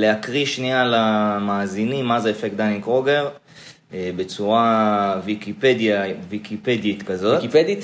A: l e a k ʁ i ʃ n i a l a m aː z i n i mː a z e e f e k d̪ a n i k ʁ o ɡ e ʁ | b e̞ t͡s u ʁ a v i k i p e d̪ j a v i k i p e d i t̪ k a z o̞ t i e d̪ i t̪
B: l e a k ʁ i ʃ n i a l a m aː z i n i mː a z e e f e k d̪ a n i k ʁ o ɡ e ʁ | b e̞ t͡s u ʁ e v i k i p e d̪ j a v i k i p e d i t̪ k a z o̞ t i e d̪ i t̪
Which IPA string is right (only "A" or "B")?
A